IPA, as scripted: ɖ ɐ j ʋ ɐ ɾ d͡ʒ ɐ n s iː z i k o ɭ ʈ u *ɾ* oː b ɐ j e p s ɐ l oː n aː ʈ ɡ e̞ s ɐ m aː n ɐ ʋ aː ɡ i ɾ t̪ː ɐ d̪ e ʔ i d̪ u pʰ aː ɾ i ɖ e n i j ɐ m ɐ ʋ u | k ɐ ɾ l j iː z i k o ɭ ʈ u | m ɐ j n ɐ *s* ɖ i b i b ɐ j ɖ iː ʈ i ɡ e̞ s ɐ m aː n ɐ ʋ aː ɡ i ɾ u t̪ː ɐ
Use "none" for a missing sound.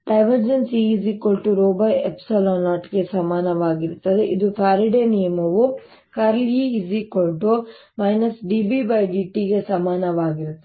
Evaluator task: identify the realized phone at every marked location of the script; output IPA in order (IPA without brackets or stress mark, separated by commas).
ɾ, s